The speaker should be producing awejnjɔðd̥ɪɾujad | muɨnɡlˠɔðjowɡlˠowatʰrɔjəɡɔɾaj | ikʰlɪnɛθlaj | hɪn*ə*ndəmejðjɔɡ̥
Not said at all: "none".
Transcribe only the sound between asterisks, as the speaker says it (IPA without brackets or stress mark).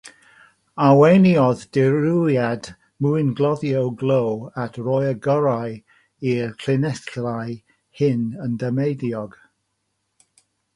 ə